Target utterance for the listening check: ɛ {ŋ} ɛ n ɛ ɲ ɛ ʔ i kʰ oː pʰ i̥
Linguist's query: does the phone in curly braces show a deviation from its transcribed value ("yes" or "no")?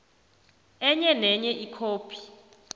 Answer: yes